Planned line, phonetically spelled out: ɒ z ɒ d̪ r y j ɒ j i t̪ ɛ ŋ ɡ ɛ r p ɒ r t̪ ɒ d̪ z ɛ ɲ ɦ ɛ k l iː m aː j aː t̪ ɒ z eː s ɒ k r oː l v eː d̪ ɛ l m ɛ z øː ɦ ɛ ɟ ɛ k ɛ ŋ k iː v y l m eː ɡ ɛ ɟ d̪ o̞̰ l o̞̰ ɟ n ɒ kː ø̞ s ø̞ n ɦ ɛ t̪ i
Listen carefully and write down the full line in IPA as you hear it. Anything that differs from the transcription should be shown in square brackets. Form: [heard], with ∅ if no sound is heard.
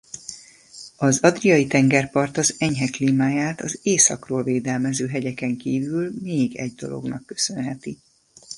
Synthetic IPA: ɒ z ɒ d̪ r [i] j ɒ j i t̪ ɛ ŋ ɡ ɛ r p ɒ r t̪ ɒ [∅] z ɛ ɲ ɦ ɛ k l iː m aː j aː t̪ ɒ z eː s ɒ k r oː l v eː d̪ ɛ l m ɛ z øː ɦ ɛ ɟ ɛ k ɛ ŋ k iː v y l m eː ɡ ɛ ɟ d̪ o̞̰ l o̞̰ [ɡ] n ɒ kː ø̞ s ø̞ n ɦ ɛ t̪ i